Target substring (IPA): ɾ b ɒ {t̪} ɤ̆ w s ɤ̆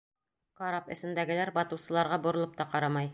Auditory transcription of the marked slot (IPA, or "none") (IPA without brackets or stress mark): t̪